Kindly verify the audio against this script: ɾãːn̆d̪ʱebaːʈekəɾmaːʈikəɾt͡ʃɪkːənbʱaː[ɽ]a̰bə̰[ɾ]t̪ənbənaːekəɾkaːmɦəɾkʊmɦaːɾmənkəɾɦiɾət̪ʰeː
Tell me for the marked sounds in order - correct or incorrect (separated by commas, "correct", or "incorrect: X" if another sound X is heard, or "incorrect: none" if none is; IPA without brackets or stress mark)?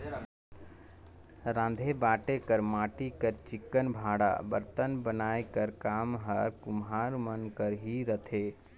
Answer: correct, correct